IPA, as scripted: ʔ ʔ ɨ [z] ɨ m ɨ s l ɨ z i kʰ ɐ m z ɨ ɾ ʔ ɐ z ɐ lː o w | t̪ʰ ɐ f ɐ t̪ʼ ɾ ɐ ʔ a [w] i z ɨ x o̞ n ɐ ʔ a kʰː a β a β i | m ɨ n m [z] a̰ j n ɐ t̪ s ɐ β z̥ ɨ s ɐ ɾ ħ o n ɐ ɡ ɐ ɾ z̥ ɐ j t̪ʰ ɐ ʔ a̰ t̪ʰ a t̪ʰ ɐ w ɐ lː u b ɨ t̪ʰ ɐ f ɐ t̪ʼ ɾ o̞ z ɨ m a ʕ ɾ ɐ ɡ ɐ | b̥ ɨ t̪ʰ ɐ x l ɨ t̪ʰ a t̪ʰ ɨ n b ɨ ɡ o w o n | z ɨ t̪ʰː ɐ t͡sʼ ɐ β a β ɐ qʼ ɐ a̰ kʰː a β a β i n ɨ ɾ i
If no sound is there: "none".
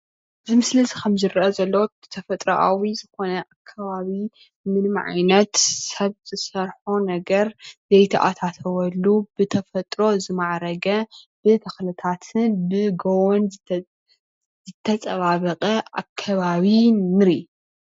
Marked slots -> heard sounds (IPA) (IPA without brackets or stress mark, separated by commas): z, w, ʕ